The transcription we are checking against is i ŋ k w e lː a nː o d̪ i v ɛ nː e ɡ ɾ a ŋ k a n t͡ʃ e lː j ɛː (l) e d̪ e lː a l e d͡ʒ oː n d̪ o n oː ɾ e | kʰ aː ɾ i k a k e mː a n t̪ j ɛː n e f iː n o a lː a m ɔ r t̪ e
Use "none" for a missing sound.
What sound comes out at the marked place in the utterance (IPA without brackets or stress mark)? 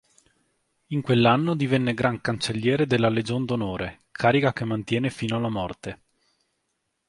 ɾ